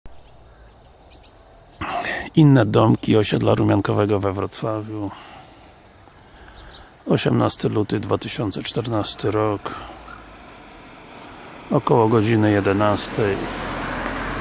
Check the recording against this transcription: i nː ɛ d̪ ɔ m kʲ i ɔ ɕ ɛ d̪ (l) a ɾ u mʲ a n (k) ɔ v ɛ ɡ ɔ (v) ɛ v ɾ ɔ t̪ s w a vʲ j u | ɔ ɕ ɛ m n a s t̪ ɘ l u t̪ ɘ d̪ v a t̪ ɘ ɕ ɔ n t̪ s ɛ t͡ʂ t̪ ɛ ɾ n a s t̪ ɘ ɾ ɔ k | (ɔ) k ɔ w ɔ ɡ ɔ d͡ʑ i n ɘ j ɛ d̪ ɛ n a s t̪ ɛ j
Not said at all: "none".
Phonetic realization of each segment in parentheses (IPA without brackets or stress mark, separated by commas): l, k, v, ɔ